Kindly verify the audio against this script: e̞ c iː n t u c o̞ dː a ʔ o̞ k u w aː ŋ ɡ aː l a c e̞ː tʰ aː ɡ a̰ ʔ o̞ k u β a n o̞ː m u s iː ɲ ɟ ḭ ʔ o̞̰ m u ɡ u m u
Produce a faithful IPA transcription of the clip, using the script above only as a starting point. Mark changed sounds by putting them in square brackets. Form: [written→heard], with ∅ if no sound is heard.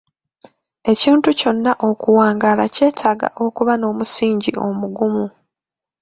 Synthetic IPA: e̞ c iː n t u c o̞ [dː→nː] a ʔ o̞ k u w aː ŋ ɡ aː l a c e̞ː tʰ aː ɡ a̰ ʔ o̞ k u β a n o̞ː m u s iː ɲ ɟ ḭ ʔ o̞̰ m u ɡ u m u